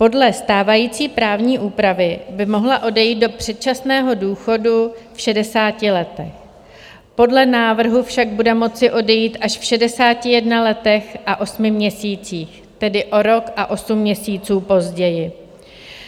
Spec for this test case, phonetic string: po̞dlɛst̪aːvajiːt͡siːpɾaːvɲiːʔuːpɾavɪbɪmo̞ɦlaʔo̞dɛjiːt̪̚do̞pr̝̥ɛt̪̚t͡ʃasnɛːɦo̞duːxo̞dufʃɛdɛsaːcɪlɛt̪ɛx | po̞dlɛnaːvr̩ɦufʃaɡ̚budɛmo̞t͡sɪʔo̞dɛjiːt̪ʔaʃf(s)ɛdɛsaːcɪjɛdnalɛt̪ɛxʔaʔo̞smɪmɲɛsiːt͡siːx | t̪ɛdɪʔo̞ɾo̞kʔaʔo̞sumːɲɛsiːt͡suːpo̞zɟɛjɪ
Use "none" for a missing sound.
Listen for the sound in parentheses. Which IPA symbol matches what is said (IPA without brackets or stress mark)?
ʃ